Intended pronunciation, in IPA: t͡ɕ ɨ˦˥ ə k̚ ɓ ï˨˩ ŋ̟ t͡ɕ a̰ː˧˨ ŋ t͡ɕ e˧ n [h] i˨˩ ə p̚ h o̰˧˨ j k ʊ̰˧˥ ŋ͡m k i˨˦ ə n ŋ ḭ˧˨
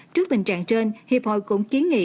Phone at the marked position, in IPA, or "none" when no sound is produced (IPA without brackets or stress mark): h